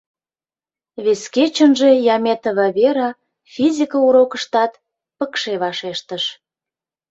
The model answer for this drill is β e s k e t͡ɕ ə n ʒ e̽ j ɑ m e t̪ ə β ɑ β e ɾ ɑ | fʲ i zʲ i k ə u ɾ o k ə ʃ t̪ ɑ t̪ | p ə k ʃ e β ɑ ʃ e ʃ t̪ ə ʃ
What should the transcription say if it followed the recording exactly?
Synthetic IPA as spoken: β e s k e t͡ɕ ə n ʒ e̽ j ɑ m e t̪ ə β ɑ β e ɾ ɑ | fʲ i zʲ i k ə u ɾ o k ə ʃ t̪ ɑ t̪ | p ə k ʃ e β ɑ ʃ e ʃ t̪ ə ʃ